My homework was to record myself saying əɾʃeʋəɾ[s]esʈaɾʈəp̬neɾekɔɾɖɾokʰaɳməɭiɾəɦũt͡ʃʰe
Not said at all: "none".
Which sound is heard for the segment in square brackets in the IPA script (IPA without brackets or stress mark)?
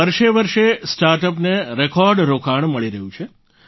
ʃ